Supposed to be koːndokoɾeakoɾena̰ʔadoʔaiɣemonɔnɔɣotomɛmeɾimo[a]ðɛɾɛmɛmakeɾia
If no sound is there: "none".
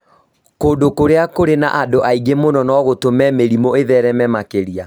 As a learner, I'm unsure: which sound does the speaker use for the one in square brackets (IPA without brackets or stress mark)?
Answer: e